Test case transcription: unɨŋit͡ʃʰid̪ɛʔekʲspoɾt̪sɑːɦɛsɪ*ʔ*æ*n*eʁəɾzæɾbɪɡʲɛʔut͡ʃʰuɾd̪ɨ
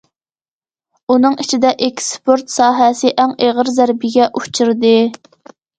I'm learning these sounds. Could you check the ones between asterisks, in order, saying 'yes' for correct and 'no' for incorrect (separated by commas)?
yes, no